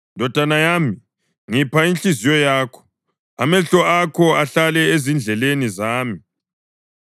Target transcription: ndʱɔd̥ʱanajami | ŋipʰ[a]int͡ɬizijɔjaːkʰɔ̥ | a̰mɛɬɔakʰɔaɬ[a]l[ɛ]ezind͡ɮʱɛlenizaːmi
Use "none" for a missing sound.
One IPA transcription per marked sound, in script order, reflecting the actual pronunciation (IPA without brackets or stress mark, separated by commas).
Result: a, a, ɛ